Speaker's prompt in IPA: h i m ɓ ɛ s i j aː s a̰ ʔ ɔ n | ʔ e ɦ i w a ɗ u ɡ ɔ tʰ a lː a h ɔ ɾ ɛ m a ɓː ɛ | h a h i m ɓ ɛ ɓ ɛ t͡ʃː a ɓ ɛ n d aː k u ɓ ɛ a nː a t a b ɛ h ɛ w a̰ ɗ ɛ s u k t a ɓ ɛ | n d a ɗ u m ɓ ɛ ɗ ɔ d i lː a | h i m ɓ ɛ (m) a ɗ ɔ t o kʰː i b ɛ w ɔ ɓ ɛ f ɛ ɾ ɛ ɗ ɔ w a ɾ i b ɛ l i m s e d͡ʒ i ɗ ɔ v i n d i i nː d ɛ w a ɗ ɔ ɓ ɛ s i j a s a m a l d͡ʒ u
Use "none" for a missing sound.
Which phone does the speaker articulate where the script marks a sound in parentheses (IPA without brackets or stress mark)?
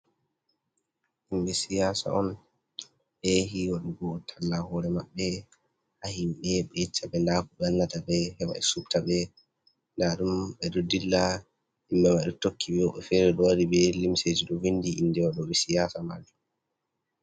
m